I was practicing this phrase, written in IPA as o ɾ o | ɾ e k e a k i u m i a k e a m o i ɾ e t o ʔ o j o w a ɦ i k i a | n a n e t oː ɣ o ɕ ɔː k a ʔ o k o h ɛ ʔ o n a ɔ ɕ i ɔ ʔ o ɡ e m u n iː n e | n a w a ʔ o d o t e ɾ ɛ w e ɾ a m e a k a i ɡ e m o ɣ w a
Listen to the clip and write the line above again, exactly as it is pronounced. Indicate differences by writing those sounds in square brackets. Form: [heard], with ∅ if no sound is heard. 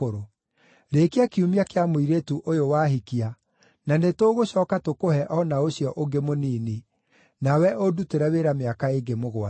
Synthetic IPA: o ɾ o | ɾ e k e a k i u m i a k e a m o i ɾ e t [u] ʔ o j o w a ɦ i k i a | n a n e t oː ɣ o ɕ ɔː k a [t] o k o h ɛ ʔ [ɔ] n a [o] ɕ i ɔ ʔ o ɡ e m [o] n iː n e | n a w [ɛ] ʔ o d [u] t e ɾ ɛ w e ɾ a m e a k a [e] ɡ e m o ɣ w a